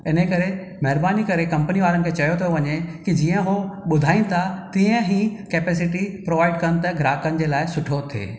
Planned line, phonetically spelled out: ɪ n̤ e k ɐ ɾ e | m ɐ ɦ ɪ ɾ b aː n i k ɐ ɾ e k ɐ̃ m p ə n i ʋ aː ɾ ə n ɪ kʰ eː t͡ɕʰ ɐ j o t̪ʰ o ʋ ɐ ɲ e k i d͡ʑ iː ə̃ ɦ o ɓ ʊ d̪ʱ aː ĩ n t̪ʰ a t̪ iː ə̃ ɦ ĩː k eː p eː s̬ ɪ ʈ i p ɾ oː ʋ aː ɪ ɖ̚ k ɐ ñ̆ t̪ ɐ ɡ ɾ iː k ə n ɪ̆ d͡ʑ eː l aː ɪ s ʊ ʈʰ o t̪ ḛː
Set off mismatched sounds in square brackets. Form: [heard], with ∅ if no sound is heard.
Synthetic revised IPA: ɪ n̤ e k ɐ ɾ e | m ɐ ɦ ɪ ɾ b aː n i k ɐ ɾ e k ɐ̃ m p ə n i ʋ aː ɾ ə n ɪ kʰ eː [t͡ɕ] ɐ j o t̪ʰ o ʋ ɐ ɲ e k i d͡ʑ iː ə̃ ɦ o ɓ ʊ d̪ʱ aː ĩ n t̪ʰ a t̪ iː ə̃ ɦ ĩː k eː p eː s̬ ɪ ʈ i p ɾ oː ʋ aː ɪ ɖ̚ k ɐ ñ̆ t̪ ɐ ɡ ɾ [aː] k ə n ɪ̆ d͡ʑ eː l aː ɪ s ʊ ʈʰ o [t̪ʰ] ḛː